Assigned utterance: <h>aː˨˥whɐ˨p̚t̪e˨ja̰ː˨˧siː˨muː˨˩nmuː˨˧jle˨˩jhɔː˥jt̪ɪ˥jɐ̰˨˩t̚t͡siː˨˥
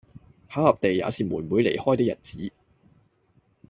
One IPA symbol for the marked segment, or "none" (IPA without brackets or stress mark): h